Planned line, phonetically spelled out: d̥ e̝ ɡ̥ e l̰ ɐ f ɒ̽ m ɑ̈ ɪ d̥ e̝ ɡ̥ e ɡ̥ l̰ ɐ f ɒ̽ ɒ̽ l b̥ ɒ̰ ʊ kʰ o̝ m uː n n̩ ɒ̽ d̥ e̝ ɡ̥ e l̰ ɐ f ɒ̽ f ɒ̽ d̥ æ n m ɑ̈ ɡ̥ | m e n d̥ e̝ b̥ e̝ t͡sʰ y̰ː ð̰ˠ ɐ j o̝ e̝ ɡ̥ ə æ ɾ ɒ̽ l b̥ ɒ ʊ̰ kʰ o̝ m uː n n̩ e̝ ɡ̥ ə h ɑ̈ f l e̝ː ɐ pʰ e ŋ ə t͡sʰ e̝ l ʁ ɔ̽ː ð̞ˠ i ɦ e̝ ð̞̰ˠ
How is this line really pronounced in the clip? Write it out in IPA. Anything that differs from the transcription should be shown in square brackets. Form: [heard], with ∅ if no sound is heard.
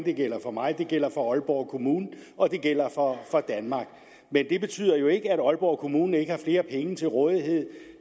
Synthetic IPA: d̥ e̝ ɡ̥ e l̰ ɐ f ɒ̽ m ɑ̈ ɪ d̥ e̝ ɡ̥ e [∅] l̰ ɐ f ɒ̽ ɒ̽ l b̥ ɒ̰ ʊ kʰ o̝ m uː n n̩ ɒ̽ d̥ e̝ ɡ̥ e l̰ ɐ f ɒ̽ f ɒ̽ d̥ æ n m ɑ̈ ɡ̥ | m e n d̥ e̝ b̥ e̝ t͡sʰ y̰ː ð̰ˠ ɐ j o̝ e̝ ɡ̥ ə æ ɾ ɒ̽ l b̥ ɒ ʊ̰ kʰ o̝ m uː n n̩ e̝ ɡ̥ ə h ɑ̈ f l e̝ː ɐ pʰ e ŋ ə t͡sʰ e̝ l ʁ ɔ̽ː ð̞ˠ i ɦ e̝ ð̞̰ˠ

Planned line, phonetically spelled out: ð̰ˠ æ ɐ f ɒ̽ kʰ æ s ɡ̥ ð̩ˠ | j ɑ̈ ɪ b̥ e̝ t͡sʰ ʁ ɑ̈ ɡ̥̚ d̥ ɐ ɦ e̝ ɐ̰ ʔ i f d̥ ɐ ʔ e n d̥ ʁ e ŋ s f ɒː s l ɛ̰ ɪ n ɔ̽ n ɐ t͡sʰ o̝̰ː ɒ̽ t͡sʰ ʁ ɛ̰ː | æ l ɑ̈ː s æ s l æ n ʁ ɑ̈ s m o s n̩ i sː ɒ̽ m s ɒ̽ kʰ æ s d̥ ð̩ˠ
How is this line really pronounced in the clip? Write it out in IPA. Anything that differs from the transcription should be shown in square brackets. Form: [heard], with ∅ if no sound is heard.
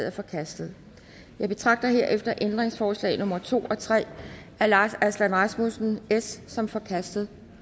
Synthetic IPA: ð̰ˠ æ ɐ f ɒ̽ kʰ æ s [d̥] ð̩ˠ | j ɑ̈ ɪ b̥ e̝ t͡sʰ ʁ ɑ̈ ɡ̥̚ d̥ ɐ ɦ e̝ ɐ̰ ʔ [e] f d̥ ɐ ʔ e n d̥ ʁ e ŋ s f ɒː s l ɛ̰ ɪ n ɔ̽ [m] ɐ t͡sʰ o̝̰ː ɒ̽ t͡sʰ ʁ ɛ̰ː | æ l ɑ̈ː s æ s l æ n ʁ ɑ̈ s m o s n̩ [e] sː ɒ̽ m [f] ɒ̽ kʰ æ s d̥ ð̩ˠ

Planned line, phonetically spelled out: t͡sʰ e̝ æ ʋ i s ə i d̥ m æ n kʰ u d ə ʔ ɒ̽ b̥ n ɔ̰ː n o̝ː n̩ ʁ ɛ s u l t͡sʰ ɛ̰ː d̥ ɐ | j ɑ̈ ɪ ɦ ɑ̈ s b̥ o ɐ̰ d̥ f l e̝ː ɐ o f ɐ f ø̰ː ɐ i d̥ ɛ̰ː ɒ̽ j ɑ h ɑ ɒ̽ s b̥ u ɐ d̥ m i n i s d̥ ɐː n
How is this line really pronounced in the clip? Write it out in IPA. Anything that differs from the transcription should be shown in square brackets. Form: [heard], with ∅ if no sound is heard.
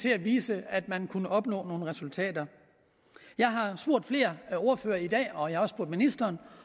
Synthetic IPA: t͡sʰ e̝ æ ʋ [iː] s ə [æ] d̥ m æ n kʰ u [n] ə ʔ ɒ̽ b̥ n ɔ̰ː n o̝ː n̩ ʁ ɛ s u l t͡sʰ ɛ̰ː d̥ ɐ | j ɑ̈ ɪ ɦ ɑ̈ s b̥ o ɐ̰ d̥ f l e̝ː ɐ o [∅] ɐ f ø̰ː ɐ i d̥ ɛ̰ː ɒ̽ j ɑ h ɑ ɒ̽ s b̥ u ɐ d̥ m i n i s d̥ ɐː n

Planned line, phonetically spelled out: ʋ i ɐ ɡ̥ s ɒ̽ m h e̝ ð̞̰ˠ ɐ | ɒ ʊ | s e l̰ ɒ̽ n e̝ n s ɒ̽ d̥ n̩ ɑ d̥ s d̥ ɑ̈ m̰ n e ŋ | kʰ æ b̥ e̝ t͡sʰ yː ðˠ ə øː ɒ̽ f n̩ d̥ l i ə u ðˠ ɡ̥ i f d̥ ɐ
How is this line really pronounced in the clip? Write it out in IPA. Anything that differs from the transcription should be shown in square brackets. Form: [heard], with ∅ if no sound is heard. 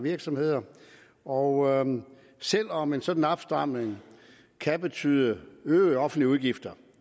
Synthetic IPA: ʋ i ɐ ɡ̥ s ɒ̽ m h e̝ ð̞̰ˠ ɐ | ɒ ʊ | s e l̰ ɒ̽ [m] e̝ n s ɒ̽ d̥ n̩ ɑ [b̥] s d̥ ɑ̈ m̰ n e ŋ | kʰ æ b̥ e̝ t͡sʰ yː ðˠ ə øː ɒ̽ f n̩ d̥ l i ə u ðˠ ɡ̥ i f d̥ ɐ

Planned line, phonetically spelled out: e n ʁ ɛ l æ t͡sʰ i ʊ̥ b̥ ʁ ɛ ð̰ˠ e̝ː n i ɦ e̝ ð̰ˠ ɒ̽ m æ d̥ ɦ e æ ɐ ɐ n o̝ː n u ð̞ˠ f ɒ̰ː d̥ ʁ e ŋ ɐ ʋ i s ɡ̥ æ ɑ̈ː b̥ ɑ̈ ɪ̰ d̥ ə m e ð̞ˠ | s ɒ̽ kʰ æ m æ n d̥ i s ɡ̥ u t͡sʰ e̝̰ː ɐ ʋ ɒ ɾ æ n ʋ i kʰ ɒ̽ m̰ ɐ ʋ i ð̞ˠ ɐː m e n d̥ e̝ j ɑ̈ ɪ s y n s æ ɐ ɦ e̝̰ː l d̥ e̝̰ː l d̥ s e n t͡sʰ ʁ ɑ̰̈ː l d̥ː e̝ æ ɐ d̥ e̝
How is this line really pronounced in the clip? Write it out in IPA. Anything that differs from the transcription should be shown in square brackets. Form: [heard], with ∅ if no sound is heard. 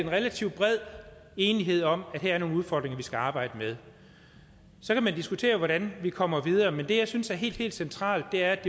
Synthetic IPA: e n ʁ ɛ l æ t͡sʰ i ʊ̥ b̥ ʁ ɛ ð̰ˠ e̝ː n i ɦ e̝ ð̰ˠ ɒ̽ m æ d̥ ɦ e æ ɐ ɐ n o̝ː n u ð̞ˠ f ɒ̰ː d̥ ʁ e ŋ ɐ ʋ i s ɡ̥ æ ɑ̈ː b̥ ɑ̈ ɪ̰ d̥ ə m e ð̞ˠ | s ɒ̽ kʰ æ m æ n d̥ i s ɡ̥ u t͡sʰ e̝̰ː ɐ ʋ ɒ ɾ æ n ʋ i kʰ ɒ̽ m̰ ɐ ʋ i ð̞ˠ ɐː m e n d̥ e̝ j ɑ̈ ɪ s y n s æ ɐ ɦ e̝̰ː l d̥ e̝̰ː l d̥ s e n t͡sʰ ʁ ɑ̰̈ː l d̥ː e̝ æ ɐ d̥ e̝

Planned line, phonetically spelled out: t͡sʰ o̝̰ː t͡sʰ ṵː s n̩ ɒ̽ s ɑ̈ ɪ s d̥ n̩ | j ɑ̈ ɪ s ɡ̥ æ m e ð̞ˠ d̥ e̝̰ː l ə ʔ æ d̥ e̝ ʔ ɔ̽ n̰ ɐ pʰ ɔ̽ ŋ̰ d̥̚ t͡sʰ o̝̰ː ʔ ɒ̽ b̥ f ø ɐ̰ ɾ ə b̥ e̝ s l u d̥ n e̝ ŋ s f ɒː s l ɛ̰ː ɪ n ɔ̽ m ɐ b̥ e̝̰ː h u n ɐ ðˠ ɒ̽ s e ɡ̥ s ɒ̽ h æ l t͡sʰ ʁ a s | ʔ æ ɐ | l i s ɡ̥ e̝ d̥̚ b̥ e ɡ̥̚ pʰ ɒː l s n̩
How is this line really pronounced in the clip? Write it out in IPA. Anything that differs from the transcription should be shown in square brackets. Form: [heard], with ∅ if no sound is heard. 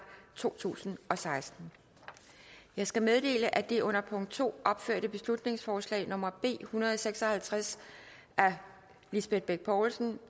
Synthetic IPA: t͡sʰ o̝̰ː t͡sʰ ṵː s n̩ ɒ̽ s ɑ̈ ɪ s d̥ n̩ | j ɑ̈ ɪ s ɡ̥ æ m e ð̞ˠ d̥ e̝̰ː l ə ʔ æ d̥ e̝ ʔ ɔ̽ n̰ ɐ pʰ ɔ̽ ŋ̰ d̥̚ t͡sʰ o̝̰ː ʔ ɒ̽ b̥ f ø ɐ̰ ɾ ə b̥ e̝ s l u d̥ n e̝ ŋ s f ɒː s l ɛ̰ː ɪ n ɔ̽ m ɐ b̥ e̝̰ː h u n ɐ ðˠ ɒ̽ s e ɡ̥ s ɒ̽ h æ l t͡sʰ ʁ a s | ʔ æ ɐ | l i s [b̥] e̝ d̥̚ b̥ e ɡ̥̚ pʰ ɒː l s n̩

